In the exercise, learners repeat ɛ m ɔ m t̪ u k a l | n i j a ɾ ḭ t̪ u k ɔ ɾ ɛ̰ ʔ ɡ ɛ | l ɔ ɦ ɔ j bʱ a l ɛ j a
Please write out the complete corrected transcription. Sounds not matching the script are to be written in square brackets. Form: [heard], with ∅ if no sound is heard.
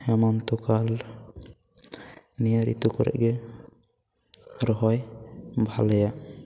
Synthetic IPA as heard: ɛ m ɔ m t̪ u k a l | n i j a ɾ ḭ t̪ u k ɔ ɾ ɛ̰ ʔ ɡ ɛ | [ɾ] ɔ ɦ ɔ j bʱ a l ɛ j a